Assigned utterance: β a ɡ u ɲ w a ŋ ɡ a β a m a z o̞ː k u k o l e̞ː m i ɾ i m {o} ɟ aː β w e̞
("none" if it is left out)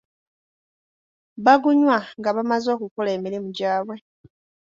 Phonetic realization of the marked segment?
u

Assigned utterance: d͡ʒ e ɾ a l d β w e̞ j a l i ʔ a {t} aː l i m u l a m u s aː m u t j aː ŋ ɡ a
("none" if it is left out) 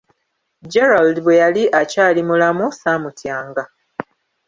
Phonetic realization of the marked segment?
c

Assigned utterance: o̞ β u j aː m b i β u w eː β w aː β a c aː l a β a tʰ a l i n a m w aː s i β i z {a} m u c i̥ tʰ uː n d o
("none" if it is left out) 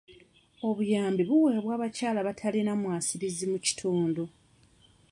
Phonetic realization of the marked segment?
i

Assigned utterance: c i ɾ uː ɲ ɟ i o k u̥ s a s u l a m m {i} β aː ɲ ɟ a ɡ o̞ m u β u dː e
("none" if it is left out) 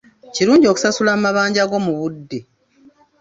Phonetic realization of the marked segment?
a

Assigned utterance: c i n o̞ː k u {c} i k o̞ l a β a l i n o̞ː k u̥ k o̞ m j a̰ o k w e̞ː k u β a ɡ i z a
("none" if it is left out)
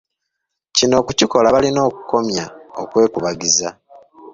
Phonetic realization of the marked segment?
c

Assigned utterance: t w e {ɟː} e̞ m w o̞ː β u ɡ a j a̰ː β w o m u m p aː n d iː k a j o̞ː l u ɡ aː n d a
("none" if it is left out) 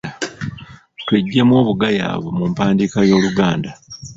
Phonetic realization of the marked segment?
ɟː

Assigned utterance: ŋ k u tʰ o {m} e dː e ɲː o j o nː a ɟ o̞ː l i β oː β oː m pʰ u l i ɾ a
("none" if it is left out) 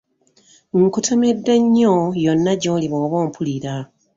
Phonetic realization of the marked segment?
m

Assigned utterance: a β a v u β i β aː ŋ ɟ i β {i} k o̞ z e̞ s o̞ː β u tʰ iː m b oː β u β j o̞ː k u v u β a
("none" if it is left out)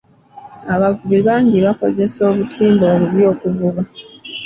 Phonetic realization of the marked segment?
a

